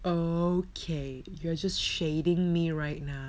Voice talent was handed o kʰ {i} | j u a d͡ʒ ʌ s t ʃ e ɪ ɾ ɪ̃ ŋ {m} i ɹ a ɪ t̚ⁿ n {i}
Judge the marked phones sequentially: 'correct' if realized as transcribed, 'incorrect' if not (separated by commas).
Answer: incorrect, correct, incorrect